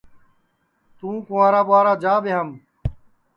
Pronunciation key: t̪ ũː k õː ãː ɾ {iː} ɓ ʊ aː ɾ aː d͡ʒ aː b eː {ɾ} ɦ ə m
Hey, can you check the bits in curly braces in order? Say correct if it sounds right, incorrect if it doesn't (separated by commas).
incorrect, incorrect